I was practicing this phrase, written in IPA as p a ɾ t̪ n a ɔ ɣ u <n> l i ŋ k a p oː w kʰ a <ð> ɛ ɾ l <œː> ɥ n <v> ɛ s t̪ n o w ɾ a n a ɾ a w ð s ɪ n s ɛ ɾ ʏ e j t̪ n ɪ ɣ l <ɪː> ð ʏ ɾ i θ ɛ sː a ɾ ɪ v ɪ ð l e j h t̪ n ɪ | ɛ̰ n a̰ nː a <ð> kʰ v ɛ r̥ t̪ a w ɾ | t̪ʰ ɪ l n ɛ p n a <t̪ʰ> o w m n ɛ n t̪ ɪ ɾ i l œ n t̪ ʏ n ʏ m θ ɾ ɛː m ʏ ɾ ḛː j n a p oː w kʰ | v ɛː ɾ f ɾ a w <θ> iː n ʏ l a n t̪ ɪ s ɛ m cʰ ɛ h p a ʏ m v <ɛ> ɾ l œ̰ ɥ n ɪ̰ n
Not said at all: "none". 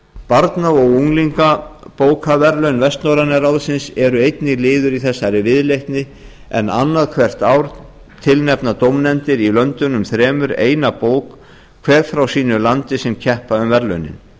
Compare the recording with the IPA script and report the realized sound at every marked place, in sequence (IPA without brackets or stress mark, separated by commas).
ŋ, v, œ, v, ɪː, ð, t̪, s, ɛ